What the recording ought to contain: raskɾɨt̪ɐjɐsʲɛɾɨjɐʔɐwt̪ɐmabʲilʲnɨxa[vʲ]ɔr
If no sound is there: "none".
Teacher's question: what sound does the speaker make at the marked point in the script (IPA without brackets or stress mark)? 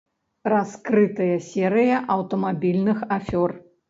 fʲ